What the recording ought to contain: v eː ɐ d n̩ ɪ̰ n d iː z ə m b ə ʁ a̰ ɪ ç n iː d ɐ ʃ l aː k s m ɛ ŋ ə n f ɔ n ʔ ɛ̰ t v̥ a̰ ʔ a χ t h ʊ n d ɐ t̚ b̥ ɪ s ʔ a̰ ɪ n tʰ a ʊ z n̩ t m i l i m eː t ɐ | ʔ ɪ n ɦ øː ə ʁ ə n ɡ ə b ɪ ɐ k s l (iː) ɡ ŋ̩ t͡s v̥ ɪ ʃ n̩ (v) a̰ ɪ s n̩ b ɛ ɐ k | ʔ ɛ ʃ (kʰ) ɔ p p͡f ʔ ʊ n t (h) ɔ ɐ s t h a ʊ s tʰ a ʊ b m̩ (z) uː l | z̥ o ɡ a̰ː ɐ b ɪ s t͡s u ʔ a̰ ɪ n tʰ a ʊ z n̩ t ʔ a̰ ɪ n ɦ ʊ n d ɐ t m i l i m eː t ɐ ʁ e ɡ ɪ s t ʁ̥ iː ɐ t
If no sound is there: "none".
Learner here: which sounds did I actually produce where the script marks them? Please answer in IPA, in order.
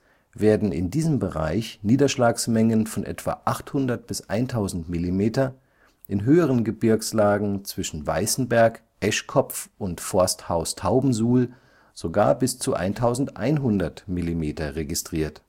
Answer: aː, v, kʰ, f, z

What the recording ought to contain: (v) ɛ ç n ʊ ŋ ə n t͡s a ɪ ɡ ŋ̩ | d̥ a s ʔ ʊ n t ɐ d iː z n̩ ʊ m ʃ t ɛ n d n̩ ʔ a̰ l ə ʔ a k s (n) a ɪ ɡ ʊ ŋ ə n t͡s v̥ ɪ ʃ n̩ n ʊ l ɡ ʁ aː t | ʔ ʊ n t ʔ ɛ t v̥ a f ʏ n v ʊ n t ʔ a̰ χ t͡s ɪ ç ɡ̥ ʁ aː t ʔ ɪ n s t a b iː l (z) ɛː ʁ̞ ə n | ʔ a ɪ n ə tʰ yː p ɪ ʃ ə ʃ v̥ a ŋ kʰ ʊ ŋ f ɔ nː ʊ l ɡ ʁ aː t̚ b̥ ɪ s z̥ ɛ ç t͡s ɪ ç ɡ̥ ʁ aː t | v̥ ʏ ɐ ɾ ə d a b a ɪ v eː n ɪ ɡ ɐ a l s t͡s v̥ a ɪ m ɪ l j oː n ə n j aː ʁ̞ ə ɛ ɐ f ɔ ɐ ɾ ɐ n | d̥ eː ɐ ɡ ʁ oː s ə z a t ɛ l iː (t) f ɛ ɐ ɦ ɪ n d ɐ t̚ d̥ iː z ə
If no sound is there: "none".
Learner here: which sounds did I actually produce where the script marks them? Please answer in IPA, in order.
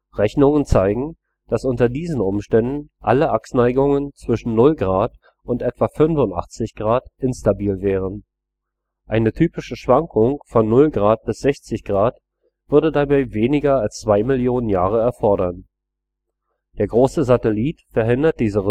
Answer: ʁ, n, v, t

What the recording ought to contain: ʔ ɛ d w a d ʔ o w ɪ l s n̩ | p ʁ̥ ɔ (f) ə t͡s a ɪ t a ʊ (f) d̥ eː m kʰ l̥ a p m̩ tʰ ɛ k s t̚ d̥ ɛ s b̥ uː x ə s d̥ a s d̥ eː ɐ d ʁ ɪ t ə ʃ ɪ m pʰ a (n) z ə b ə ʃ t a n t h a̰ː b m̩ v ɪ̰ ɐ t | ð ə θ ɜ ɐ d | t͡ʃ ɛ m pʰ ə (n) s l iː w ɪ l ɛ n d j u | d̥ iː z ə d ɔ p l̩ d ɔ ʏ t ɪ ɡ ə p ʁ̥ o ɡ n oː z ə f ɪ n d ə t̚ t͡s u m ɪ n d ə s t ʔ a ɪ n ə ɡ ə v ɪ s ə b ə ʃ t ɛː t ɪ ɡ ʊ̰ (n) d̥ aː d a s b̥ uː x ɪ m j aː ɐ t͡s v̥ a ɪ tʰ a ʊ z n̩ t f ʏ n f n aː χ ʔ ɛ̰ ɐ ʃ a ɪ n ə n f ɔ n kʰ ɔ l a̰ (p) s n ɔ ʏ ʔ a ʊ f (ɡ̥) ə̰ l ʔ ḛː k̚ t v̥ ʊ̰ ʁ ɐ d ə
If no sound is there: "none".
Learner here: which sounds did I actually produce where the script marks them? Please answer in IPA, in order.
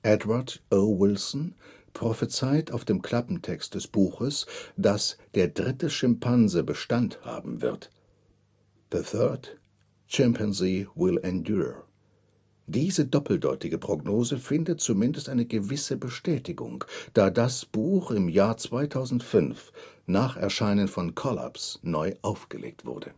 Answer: f, f, n, n, ŋ, p, ɡ̥

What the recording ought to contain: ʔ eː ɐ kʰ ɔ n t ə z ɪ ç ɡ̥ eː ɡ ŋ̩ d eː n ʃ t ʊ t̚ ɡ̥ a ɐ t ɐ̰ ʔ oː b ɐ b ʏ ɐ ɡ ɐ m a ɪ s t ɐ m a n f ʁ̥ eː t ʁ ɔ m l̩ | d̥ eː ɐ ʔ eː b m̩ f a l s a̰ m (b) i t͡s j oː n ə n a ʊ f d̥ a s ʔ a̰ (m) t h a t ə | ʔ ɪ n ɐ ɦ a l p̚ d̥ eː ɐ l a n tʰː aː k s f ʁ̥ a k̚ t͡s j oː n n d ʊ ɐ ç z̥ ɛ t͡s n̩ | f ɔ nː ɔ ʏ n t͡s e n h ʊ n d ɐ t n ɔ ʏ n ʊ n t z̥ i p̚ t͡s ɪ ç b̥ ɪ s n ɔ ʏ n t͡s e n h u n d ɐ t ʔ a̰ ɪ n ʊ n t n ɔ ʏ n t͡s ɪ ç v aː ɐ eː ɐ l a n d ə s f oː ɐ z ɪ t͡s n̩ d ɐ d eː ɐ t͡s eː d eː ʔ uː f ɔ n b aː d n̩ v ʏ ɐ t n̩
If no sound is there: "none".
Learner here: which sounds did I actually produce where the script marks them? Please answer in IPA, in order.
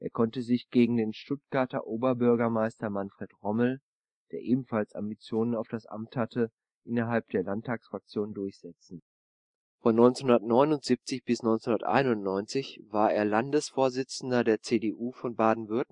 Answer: b, m

